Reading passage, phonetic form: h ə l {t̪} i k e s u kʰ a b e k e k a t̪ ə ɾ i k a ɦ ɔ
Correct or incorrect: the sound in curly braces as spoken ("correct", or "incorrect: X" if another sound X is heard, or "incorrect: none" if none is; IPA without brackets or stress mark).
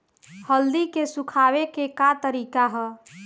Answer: incorrect: d̪